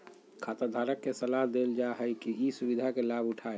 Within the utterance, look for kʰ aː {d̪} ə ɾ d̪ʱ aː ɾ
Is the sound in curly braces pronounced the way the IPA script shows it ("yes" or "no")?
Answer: no